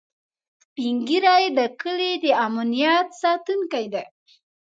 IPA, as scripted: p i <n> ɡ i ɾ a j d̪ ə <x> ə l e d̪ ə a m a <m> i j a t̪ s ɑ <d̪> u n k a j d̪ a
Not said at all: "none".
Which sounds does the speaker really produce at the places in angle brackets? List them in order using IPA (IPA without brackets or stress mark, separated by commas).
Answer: ŋ, k, n, t̪